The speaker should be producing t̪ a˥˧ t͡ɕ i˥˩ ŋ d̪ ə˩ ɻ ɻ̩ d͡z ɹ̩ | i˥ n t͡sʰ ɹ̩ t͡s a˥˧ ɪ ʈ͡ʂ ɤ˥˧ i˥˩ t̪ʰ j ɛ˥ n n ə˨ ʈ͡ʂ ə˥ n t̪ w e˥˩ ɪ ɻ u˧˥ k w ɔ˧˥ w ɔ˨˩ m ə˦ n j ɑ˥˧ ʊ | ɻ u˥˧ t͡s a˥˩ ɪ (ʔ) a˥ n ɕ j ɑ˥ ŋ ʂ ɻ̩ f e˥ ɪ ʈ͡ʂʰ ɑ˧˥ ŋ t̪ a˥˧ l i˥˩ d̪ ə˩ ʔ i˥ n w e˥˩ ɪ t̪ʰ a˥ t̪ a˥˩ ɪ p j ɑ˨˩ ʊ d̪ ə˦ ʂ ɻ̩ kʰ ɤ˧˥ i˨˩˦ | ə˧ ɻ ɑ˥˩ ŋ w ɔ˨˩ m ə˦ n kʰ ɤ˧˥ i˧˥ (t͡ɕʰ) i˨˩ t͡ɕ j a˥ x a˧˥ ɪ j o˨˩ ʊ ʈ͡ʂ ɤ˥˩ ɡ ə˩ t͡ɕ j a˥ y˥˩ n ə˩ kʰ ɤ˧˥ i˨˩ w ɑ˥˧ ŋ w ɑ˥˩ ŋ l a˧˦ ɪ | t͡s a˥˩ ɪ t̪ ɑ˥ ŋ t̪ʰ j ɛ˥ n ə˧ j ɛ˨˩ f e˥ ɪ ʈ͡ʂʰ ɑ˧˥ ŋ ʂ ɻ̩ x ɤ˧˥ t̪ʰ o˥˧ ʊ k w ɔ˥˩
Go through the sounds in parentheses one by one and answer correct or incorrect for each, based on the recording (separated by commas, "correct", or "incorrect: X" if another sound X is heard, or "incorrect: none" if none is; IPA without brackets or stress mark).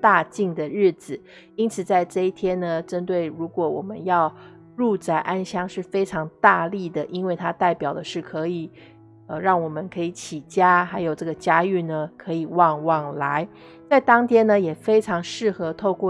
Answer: correct, correct